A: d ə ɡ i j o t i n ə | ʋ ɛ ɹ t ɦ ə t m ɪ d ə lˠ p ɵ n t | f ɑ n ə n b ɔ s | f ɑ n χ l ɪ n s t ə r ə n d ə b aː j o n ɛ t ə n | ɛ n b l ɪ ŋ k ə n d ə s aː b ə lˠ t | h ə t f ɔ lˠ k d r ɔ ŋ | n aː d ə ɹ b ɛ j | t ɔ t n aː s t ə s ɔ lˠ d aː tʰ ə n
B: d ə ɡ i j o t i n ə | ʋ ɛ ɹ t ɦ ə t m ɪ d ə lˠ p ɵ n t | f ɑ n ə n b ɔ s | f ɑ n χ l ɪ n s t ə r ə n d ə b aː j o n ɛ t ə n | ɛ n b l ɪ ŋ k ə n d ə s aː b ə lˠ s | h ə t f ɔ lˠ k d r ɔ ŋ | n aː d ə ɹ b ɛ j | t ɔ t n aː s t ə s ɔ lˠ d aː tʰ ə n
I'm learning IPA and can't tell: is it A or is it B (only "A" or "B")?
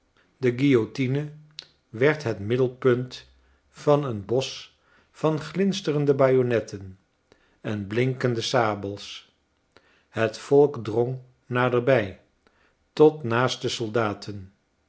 B